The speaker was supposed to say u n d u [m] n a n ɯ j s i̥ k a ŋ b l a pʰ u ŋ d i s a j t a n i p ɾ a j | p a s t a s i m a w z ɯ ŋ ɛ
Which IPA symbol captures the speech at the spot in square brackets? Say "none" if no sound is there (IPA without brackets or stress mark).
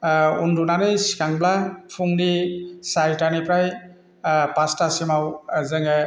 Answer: none